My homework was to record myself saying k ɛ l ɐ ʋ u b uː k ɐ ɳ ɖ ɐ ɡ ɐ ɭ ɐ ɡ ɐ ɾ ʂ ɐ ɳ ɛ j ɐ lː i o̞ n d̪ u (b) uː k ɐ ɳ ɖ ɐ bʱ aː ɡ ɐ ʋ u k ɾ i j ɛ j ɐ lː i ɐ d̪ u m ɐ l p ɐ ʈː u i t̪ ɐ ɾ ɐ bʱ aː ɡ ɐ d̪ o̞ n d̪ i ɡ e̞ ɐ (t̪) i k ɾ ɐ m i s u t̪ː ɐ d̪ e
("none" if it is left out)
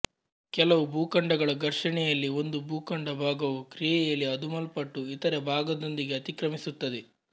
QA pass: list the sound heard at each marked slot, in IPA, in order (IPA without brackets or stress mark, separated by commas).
b, t̪